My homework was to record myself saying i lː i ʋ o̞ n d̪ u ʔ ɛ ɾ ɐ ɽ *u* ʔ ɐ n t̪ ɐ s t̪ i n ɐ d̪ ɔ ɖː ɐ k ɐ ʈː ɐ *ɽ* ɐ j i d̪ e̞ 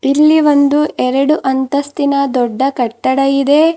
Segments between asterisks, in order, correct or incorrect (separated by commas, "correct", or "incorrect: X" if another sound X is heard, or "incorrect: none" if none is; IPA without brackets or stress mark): correct, correct